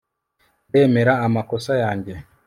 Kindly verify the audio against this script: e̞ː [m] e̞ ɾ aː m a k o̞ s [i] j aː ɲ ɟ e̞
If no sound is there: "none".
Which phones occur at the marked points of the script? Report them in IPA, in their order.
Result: m, a

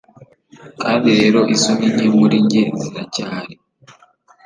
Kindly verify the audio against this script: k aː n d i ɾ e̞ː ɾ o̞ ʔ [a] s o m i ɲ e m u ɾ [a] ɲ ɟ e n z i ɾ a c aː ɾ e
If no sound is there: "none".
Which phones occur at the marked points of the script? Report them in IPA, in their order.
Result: i, i

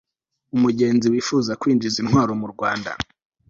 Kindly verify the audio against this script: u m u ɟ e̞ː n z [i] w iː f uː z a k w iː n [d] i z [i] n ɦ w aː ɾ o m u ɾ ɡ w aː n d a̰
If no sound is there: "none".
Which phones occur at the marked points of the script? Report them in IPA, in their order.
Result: i, d͡ʒ, i

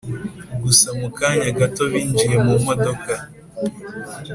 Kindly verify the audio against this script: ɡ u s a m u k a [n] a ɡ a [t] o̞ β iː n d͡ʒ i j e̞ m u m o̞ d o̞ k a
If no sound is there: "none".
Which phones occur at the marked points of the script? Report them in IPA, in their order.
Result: ɲ, t

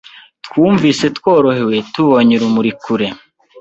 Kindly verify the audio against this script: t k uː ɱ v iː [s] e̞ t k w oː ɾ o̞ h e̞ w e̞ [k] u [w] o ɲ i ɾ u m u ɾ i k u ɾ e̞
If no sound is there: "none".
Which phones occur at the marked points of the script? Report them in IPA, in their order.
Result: s, t, β

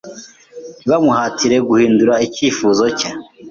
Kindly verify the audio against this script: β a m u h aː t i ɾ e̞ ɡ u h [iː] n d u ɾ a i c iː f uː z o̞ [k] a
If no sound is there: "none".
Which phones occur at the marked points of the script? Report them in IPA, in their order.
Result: iː, c

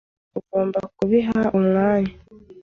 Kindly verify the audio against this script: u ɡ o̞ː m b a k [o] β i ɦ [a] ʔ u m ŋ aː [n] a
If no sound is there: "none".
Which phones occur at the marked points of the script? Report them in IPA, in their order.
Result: u, a, ɲ

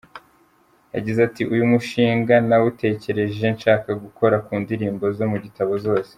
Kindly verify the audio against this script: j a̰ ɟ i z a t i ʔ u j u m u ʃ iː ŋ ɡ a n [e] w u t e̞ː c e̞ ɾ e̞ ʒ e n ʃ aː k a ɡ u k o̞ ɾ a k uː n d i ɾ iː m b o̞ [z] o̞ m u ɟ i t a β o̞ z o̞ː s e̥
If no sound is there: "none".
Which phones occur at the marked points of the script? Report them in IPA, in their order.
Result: a, z

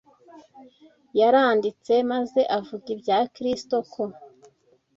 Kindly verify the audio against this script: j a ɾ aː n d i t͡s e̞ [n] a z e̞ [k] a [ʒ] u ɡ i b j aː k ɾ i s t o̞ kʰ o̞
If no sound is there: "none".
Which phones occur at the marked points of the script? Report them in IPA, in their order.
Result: m, ʔ, v

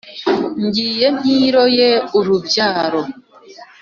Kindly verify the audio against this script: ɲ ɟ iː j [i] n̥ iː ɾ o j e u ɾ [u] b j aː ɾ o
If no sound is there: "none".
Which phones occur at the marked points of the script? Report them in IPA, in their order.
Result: e, u

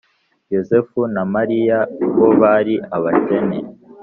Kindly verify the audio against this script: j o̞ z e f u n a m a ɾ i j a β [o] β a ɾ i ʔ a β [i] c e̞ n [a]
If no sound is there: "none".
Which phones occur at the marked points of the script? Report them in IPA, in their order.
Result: o, a, e

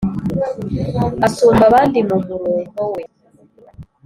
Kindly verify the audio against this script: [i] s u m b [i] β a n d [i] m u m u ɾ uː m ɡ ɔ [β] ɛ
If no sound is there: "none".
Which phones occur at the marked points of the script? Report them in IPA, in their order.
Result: a, a, i, w

